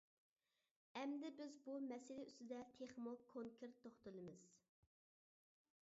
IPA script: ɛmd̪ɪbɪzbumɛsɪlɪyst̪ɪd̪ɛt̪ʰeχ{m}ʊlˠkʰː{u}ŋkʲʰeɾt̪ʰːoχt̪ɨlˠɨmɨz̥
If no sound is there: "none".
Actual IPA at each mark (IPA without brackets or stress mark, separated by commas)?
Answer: m, o